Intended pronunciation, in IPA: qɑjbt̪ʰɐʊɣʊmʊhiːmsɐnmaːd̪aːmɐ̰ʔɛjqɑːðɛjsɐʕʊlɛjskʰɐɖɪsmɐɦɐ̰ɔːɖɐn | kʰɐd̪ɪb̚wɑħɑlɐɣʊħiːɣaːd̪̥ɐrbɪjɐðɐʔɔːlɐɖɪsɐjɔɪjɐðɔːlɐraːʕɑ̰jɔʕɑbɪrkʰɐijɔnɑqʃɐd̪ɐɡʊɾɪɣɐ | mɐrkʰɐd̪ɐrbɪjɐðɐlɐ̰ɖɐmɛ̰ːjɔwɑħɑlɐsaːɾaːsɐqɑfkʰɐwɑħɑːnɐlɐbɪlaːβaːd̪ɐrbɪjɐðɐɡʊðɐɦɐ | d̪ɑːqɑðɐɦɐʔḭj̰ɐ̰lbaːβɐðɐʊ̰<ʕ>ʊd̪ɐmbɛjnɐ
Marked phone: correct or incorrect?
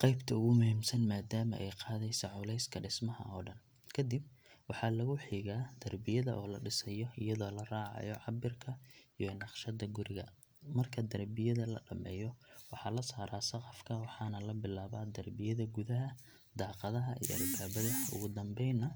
incorrect